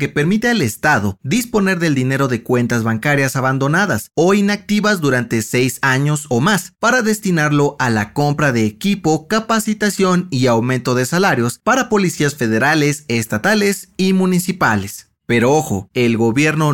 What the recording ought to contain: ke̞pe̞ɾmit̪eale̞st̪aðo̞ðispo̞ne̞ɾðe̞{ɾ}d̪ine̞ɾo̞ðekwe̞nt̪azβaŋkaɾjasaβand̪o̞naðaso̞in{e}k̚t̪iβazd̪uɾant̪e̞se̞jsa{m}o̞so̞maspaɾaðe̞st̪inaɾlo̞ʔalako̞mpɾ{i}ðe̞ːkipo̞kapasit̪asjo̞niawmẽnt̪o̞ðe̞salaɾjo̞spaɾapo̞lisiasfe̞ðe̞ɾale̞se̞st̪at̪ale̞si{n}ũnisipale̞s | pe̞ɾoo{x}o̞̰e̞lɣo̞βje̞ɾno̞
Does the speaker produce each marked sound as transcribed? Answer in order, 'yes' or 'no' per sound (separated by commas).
no, no, no, no, no, yes